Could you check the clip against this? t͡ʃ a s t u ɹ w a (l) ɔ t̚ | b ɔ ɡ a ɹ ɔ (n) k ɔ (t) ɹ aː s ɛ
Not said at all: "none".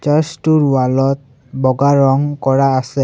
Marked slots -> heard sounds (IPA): l, ŋ, none

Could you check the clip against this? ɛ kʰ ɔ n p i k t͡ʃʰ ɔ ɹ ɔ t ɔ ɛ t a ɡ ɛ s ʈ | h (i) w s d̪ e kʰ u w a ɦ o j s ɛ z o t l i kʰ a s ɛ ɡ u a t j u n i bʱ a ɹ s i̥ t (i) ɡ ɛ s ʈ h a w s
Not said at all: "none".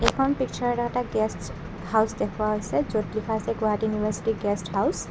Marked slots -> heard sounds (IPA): a, i

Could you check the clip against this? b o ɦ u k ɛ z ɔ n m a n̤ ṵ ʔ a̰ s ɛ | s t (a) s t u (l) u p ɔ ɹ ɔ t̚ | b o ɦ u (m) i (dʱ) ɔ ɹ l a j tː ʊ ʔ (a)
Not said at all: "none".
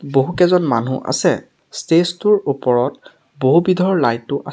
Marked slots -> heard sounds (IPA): e, ɹ, b, dʱ, a

